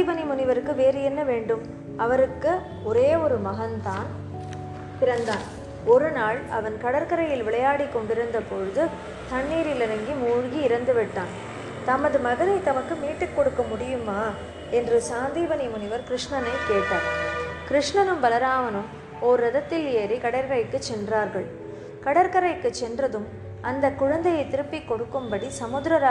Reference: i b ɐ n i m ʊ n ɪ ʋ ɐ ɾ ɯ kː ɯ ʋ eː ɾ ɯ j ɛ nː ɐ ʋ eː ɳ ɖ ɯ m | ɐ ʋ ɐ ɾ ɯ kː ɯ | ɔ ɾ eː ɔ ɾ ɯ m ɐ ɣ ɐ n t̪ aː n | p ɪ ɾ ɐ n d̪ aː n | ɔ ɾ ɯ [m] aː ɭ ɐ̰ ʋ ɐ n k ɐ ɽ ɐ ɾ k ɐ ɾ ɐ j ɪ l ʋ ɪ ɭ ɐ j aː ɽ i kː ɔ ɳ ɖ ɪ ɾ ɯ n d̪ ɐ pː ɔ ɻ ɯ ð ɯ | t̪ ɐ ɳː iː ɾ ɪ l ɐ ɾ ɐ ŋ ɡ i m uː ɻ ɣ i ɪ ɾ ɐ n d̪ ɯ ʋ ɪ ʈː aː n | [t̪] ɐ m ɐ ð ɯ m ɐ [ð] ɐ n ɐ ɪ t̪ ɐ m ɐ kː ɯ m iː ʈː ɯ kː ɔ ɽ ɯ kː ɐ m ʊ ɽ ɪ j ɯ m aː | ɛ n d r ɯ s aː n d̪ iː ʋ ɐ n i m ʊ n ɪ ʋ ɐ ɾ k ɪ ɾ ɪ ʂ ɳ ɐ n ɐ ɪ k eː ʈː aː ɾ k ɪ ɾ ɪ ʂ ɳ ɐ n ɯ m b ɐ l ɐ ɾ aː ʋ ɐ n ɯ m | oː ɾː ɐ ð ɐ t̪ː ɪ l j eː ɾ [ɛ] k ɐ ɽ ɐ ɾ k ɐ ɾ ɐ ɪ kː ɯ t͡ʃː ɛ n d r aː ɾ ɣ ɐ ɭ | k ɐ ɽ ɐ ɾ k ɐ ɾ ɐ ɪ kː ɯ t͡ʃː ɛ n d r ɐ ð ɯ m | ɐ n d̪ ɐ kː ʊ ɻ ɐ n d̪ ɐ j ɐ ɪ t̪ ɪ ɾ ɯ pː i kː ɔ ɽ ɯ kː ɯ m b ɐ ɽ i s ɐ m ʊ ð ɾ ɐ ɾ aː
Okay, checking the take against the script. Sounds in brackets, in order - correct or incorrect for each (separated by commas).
incorrect, correct, incorrect, incorrect